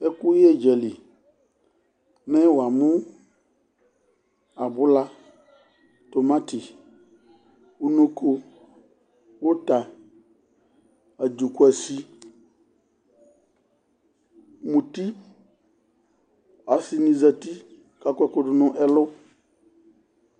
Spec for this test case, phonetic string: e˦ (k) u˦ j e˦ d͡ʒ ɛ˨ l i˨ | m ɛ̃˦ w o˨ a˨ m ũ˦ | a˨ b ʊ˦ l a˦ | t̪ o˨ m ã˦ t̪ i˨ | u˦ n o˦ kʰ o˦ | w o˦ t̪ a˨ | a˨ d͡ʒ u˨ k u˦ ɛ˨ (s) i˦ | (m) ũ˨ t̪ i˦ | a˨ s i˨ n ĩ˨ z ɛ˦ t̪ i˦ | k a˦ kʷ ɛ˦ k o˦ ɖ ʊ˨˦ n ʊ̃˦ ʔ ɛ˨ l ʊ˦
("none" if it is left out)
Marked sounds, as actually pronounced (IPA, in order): k, s, m

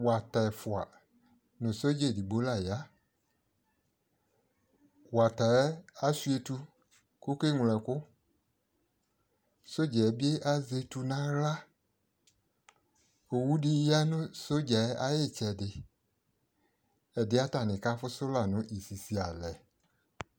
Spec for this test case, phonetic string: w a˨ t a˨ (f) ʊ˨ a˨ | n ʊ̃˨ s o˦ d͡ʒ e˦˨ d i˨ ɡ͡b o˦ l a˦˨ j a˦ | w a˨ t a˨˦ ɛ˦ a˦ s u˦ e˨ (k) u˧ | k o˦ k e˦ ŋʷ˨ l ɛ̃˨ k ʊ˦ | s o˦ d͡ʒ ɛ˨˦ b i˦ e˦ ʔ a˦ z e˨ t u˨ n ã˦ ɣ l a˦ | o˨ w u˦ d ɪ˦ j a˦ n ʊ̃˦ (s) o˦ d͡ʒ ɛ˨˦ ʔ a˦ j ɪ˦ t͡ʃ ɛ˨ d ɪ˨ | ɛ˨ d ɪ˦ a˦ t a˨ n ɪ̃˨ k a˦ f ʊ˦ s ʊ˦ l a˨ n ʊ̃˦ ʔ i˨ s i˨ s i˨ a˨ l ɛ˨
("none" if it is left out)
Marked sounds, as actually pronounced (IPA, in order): f, t, s

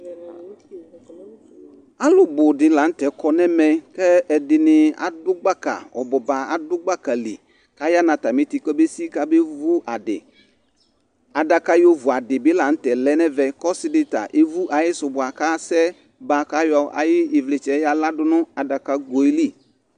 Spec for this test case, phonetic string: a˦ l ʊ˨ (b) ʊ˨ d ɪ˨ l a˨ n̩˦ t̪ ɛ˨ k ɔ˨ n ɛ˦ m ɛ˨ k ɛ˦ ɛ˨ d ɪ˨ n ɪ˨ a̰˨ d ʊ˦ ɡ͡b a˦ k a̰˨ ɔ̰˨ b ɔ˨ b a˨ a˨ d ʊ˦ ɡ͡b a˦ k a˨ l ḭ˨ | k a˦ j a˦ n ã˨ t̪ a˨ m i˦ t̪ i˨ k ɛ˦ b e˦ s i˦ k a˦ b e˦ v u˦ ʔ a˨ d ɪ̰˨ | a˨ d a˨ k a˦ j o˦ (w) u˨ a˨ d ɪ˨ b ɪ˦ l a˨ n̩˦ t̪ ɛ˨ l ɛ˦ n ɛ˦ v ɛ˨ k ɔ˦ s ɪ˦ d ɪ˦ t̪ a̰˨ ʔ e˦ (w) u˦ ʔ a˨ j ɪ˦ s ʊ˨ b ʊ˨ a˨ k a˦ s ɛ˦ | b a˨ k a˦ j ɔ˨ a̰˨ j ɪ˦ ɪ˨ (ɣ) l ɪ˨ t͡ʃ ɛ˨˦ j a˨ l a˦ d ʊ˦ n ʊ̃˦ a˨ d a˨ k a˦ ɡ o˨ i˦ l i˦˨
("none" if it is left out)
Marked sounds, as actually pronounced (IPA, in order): b, v, v, v

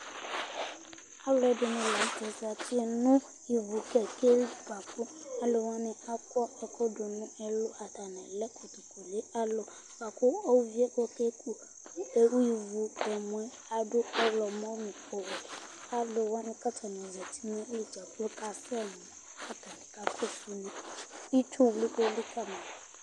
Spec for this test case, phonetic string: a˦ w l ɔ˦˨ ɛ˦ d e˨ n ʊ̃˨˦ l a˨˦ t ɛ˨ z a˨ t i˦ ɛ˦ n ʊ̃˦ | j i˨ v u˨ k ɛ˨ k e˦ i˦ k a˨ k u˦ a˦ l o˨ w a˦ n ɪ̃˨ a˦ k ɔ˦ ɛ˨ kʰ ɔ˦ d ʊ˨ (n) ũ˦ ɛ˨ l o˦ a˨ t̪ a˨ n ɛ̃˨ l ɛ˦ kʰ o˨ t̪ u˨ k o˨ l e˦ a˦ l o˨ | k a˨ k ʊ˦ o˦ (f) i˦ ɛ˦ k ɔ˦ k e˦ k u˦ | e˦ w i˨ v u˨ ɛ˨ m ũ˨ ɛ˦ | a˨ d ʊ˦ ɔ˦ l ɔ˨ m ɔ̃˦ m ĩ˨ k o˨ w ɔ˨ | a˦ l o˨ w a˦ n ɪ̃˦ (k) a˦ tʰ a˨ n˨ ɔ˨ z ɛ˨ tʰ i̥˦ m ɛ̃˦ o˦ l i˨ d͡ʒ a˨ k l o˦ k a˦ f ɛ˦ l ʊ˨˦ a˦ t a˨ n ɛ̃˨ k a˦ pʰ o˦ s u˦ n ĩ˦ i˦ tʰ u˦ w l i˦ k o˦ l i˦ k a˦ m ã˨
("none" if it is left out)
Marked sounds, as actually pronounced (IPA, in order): n, v, k

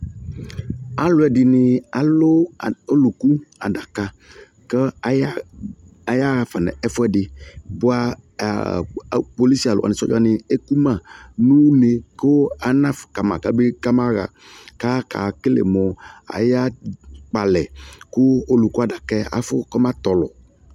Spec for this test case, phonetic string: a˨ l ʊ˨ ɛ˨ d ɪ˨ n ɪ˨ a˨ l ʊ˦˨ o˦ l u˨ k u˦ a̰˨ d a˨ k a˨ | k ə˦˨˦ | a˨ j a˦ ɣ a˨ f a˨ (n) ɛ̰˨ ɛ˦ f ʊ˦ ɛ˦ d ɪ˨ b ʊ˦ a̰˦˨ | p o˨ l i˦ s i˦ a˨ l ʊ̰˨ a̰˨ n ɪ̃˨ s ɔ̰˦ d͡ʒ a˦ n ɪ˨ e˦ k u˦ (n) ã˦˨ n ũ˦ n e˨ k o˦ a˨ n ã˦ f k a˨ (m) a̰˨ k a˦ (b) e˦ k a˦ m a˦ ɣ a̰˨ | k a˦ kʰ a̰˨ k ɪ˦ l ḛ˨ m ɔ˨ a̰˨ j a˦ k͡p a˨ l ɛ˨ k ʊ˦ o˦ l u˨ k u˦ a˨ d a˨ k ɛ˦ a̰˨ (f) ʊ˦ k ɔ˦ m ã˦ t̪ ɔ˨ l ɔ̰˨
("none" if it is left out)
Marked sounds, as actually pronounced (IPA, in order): n, m, m, b, f

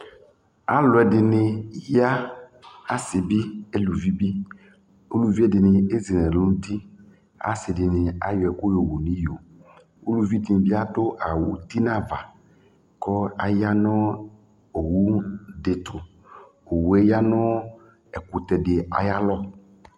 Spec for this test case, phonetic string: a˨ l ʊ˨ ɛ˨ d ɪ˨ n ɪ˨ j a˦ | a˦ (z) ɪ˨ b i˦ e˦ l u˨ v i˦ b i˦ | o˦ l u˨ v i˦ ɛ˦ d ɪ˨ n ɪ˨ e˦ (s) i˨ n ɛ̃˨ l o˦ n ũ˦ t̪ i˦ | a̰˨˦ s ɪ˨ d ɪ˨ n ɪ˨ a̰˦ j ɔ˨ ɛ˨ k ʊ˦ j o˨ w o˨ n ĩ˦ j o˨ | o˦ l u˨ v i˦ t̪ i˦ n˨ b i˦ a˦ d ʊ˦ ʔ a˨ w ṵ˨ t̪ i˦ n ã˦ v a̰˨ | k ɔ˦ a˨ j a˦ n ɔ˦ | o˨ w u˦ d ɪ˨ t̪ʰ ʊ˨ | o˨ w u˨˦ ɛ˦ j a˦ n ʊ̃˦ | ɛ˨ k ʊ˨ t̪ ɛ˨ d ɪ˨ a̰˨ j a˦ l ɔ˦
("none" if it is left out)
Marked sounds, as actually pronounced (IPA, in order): s, z

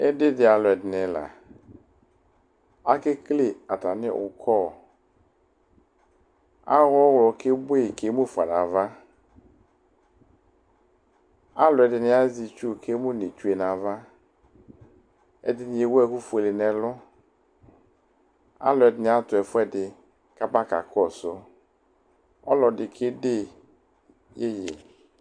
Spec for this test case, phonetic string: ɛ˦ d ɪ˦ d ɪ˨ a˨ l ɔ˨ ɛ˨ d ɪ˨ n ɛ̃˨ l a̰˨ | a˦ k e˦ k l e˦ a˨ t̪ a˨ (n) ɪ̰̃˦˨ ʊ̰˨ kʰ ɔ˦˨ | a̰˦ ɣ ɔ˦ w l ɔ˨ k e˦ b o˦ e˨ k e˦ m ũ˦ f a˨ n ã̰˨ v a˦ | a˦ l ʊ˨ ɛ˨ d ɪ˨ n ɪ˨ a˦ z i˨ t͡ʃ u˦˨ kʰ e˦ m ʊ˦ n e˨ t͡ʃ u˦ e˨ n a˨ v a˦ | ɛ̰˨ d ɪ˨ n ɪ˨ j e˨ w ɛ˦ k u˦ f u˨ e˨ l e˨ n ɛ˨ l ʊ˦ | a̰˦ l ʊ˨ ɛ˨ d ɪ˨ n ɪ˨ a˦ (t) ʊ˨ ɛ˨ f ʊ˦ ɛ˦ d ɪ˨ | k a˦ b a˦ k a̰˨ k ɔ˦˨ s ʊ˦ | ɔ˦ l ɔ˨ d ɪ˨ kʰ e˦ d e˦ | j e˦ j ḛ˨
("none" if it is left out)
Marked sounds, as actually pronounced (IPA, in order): n, t

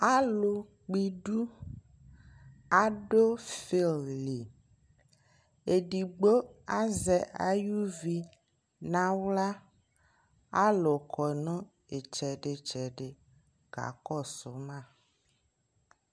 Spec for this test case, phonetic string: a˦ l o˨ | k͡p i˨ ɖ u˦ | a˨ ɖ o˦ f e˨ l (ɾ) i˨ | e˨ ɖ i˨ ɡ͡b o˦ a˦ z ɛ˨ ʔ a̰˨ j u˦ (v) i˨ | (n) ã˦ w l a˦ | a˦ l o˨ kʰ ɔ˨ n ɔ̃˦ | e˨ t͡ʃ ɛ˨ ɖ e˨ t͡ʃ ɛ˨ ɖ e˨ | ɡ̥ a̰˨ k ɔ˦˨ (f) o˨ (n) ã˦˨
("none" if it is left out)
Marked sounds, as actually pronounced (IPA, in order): l, v, n, s, m

